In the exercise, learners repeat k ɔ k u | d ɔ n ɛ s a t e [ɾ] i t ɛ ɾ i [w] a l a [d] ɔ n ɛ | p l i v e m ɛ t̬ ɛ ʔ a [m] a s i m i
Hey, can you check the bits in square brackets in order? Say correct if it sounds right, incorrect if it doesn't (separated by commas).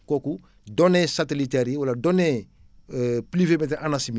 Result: incorrect, correct, correct, incorrect